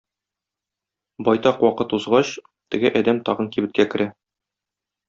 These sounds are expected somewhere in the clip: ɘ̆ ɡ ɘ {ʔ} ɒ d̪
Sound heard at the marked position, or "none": ʔ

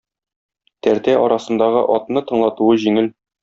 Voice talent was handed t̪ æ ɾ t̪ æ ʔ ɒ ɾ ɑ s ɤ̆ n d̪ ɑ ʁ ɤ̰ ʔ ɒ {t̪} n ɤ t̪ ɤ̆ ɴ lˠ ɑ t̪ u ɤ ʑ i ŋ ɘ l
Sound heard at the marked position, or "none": t̪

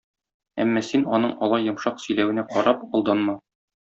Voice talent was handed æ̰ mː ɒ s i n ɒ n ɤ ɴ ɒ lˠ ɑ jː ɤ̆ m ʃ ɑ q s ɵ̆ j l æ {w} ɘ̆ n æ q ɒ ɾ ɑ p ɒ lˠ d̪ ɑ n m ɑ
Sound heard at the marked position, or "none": w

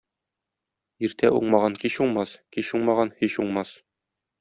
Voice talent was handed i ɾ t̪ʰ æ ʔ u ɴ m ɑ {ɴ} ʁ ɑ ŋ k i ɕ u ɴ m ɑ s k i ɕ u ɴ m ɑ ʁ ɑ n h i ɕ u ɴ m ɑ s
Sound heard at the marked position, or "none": none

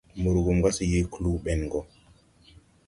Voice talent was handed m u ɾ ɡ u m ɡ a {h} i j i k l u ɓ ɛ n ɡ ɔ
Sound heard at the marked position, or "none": s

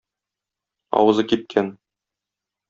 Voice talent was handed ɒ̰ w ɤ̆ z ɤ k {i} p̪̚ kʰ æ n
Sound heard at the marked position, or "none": i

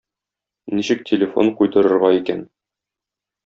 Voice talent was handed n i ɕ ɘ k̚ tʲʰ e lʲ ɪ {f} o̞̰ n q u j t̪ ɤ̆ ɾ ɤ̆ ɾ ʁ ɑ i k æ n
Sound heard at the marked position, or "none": f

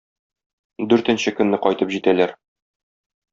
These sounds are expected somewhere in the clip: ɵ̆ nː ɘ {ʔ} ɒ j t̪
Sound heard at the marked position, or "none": q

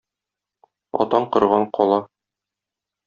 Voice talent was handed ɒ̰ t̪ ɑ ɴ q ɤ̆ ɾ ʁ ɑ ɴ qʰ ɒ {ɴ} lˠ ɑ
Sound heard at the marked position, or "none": none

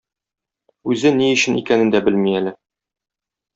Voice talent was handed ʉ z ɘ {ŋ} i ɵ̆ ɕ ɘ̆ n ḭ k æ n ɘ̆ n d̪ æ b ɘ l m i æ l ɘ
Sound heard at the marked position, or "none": n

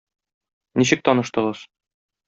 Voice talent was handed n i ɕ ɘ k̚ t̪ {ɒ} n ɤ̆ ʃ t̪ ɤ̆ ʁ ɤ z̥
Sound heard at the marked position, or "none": ɒ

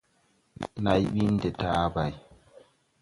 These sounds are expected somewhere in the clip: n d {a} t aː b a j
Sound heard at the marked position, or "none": ɛ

